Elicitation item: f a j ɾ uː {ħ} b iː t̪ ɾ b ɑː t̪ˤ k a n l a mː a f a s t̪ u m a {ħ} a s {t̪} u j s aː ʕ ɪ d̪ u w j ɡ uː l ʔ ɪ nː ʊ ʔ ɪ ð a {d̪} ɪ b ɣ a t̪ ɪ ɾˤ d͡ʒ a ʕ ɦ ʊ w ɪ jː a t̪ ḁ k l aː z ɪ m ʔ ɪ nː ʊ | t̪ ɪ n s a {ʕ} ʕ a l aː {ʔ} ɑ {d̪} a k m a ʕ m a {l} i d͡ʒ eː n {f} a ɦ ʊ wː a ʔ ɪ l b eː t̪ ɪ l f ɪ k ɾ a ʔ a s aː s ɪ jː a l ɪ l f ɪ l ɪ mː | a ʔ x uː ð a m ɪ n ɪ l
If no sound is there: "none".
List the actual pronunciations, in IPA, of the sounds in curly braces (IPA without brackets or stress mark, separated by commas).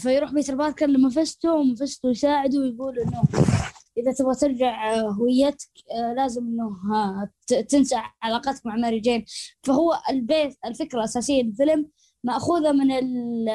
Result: ħ, f, t̪, t̪, ʕ, q, t̪, ɾ, f